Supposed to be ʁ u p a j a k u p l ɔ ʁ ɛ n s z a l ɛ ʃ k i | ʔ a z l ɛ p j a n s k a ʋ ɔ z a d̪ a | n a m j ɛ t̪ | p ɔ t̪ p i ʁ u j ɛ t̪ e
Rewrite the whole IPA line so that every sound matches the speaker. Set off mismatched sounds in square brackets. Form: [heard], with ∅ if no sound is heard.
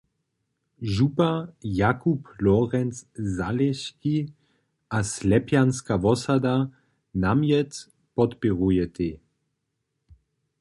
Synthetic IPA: [ʒ] u p a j a k u p l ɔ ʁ ɛ n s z a l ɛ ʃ k i | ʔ a [s] l ɛ p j a n s k a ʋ ɔ [s] a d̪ a | n a m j ɛ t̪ | p ɔ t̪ p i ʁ u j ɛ t̪ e